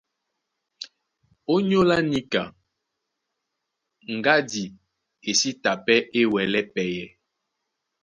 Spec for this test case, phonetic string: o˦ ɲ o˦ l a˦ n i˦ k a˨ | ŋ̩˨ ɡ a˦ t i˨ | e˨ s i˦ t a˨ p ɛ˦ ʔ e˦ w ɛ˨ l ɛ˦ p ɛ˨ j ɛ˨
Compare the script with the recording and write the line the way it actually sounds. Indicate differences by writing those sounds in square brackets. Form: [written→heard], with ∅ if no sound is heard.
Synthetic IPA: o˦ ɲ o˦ l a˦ n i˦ k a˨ | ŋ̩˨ ɡ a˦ [t→d] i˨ | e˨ s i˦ t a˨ p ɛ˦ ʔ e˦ w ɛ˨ l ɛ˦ p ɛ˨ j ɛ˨